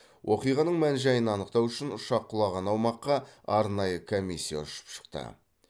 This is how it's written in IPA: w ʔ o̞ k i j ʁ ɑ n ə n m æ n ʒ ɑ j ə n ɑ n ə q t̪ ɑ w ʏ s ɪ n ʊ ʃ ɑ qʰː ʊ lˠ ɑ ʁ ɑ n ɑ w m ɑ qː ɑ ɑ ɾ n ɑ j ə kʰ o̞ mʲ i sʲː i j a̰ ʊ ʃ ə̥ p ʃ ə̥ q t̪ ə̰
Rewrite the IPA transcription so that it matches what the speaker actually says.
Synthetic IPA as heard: w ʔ o̞ q i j ʁ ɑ n ə ɴ m æ n ʒ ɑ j ə n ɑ n ə q t̪ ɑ w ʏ ʃ ɪ n ʊ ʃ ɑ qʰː ʊ lˠ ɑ ʁ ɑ n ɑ w m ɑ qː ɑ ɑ ɾ n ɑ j ə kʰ o̞ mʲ i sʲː i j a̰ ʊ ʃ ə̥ p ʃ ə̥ q t̪ ə̰

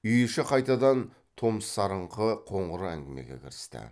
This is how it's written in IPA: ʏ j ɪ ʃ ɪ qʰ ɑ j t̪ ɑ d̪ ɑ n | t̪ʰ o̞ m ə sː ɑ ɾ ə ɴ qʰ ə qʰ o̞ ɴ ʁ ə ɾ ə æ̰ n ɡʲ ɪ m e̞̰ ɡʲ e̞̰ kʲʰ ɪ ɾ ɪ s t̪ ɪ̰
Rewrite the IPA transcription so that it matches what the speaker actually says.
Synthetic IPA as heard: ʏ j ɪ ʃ ɪ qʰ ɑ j t̪ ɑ d̪ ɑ n | t̪ʰ o̞ m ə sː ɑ ɾ ə ɴ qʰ ə qʰ o̞ ɴ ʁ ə ɾ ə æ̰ ŋ ɡʲ ɪ m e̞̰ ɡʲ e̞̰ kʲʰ ɪ ɾ ɪ s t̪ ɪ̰

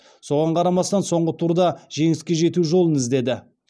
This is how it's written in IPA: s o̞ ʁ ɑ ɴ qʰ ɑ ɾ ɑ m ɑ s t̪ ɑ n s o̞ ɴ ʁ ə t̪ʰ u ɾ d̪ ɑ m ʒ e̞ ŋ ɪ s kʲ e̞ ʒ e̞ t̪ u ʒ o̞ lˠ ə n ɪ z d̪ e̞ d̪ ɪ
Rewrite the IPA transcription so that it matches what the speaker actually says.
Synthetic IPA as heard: s o̞ ʁ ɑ ɴ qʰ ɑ ɾ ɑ m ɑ s t̪ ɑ n s o̞ ɴ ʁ ə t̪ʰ u ɾ d̪ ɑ ʒ e̞ ŋ ɪ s kʲ e̞ ʒ e̞ t̪ u ʒ o̞ lˠ ə n ɪ z d̪ e̞ d̪ ɪ

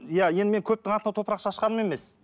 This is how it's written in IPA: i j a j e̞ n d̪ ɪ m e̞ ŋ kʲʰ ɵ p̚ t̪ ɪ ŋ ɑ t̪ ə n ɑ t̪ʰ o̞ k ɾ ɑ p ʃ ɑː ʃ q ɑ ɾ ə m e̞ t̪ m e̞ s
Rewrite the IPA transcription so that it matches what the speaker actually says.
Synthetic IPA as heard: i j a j e̞ n d̪ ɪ m e̞ ŋ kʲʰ ɵ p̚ t̪ ɪ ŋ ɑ t̪ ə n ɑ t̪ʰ o̞ p ɾ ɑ q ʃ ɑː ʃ q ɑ ɾ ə m e̞ m e̞ s

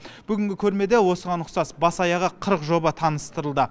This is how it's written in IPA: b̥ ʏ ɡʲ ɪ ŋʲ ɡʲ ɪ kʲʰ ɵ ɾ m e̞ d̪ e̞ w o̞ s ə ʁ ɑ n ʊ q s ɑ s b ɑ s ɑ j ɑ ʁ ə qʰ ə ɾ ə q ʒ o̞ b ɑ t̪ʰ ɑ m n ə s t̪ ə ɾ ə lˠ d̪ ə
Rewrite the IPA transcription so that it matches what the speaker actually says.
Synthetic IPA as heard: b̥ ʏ ɡʲ ɪ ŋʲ ɡʲ ɪ kʲʰ ɵ ɾ m e̞ d̪ e̞ w o̞ s ə ʁ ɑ n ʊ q s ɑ s b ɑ s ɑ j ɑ ʁ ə qʰ ə ɾ ə q ʒ o̞ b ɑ t̪ʰ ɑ n ə s t̪ ə ɾ ə lˠ d̪ ə

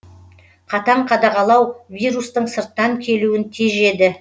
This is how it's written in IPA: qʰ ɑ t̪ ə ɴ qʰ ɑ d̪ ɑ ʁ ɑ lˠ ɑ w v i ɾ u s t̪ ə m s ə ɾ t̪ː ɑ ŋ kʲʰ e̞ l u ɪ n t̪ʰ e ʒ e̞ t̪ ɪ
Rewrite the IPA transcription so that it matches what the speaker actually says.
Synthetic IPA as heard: qʰ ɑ t̪ ɑ ɴ qʰ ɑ d̪ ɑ ʁ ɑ lˠ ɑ w v i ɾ u s t̪ ə ɴ s ə ɾ t̪ː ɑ ŋ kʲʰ e̞ l u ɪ n t̪ʰ e ʒ e̞ d̪ ɪ

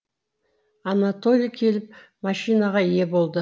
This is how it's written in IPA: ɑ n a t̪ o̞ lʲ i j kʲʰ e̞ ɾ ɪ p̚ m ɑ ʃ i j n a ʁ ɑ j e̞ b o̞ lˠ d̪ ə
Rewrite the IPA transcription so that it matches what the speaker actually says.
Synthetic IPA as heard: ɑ n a t̪ o̞ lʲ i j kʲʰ e̞ l ɪ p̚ m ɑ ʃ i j n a ʁ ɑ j e̞ b o̞ lˠ d̪ ə

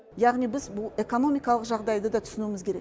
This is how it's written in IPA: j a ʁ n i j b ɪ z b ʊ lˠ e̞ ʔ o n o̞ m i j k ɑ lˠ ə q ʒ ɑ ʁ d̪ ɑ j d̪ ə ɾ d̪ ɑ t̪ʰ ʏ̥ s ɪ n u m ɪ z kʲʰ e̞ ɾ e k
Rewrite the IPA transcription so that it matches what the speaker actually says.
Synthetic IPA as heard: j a ʁ n i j b ɪ z b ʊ lˠ e̞ k o n o̞ m i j k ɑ lˠ ə q ʒ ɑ ʁ d̪ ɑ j d̪ ə d̪ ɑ t̪ʰ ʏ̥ s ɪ n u m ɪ z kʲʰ e̞ ɾ e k

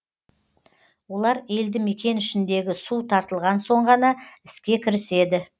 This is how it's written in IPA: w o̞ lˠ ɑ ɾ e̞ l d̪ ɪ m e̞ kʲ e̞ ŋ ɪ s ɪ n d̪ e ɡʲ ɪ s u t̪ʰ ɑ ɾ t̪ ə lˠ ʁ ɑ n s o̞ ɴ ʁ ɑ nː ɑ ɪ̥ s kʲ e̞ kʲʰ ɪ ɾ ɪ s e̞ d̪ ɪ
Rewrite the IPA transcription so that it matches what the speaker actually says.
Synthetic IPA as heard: w o̞ lˠ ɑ ɾ e̞ l d̪ ɪ m e̞ kʲ e̞ n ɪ ʃ ɪ n d̪ e ɡʲ ɪ s u t̪ʰ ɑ ɾ t̪ ə lˠ ʁ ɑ n s o̞ ɴ ʁ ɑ n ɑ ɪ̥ s kʲ e̞ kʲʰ ɪ ɾ ɪ s e̞ d̪ ɪ

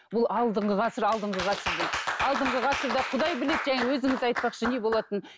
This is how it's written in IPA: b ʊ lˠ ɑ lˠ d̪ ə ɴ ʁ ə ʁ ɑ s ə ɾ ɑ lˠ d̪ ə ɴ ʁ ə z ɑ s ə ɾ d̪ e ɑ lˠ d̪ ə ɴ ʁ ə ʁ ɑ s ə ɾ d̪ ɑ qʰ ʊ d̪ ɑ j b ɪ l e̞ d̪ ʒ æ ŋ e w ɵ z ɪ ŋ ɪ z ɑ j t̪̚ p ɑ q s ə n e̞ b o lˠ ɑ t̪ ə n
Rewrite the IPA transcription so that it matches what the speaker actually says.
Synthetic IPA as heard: b ʊ lˠ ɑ lˠ d̪ ə ɴ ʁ ə ʁ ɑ s ə ɾ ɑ lˠ d̪ ə ɴ ʁ ə ʁ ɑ s ə ɾ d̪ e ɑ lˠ d̪ ə ɴ ʁ ə ʁ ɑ s ə ɾ d̪ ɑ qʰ ʊ d̪ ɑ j b ɪ l e̞ d̪ ʒ æ ŋ e w ɵ z ɪ ŋ ɪ z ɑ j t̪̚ p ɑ q ʃ ə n e̞ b o lˠ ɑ t̪ ə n

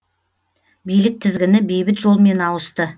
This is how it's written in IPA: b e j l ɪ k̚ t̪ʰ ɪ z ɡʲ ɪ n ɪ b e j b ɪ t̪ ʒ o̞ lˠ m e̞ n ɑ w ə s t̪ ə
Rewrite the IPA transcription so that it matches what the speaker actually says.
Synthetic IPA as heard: b i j l ɪ k̚ t̪ʰ ɪ z ɡʲ ɪ n ɪ b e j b ɪ t̪ ʒ o̞ lˠ m e̞ n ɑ w ə s t̪ ə

